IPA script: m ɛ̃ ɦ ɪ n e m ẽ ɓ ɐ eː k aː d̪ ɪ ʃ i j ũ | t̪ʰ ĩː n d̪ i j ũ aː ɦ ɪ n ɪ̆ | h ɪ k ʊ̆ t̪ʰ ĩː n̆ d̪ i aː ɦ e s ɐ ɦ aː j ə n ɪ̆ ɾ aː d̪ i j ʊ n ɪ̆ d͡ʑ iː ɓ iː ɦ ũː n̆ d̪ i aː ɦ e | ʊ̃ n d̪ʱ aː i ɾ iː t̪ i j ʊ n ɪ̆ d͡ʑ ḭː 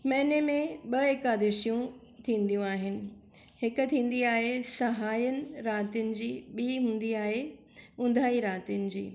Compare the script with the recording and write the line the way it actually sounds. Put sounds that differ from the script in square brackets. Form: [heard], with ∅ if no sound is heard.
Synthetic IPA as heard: m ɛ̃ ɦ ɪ n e m ẽ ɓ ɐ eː k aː d̪ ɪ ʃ i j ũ | t̪ʰ ĩː n d̪ i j ũ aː ɦ ɪ n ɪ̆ | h ɪ k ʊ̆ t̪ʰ ĩː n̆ d̪ i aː ɦ e s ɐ ɦ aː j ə n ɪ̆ ɾ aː [t̪] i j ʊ n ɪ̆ d͡ʑ iː ɓ iː ɦ ũː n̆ d̪ i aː ɦ e | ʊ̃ n d̪ʱ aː i ɾ [aː] t̪ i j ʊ n ɪ̆ d͡ʑ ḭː